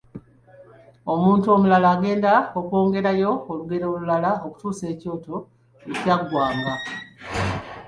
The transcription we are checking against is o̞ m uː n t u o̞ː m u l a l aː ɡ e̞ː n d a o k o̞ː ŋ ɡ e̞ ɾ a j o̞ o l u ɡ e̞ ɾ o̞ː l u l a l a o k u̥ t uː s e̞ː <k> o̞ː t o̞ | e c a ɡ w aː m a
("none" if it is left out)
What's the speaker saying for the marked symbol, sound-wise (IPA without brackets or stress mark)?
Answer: c